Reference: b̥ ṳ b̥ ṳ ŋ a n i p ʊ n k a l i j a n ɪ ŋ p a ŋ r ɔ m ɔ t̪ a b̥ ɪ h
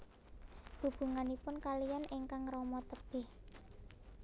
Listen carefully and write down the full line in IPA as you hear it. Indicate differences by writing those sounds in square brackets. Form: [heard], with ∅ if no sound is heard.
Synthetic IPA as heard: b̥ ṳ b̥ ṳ ŋ a n i p ʊ n k a l i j a n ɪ ŋ [k] a ŋ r ɔ m ɔ t̪ [ə] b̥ ɪ h